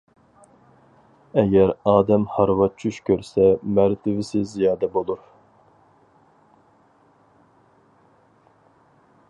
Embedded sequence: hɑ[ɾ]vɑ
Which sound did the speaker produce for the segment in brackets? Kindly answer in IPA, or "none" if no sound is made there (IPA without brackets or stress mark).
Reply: ɾ